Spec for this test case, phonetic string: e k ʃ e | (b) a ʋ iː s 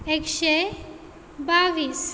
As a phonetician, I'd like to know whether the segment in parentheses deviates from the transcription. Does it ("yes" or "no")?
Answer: no